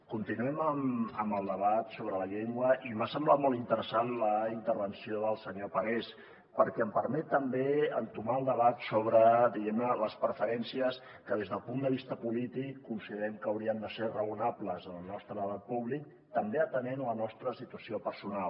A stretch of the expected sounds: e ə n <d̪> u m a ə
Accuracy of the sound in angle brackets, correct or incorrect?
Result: incorrect